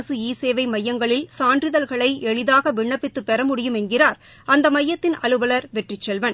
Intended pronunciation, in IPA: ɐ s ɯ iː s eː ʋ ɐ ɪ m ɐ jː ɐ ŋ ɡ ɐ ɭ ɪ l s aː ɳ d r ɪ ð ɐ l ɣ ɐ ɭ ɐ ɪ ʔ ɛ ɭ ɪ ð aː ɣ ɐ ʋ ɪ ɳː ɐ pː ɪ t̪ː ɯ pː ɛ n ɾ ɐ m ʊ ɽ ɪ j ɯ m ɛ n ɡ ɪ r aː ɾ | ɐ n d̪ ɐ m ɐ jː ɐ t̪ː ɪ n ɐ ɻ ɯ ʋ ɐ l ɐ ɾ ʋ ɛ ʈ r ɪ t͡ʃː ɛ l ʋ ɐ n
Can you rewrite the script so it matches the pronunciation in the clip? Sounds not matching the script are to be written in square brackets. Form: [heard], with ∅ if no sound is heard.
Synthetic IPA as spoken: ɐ s ɯ iː s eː ʋ ɐ ɪ m ɐ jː ɐ ŋ ɡ ɐ ɭ ɪ l s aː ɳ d r ɪ ð ɐ l ɣ ɐ ɭ ɐ ɪ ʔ ɛ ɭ ɪ ð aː ɣ ɐ ʋ ɪ ɳː ɐ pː ɪ t̪ː ɯ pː ɛ [∅] ɾ ɐ m ʊ ɽ ɪ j ɯ m ɛ n ɡ ɪ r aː ɾ | ɐ n d̪ ɐ m ɐ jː ɐ t̪ː ɪ n ɐ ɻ ɯ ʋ ɐ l ɐ ɾ ʋ ɛ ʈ r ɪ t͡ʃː ɛ l ʋ ɐ n